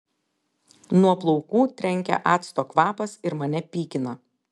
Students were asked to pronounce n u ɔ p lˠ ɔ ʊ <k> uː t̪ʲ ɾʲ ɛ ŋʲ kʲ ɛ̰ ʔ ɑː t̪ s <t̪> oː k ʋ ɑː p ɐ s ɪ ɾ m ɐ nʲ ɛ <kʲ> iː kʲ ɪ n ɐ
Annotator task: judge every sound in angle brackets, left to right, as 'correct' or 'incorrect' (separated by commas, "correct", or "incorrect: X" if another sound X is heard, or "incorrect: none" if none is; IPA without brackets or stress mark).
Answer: correct, correct, incorrect: pʲ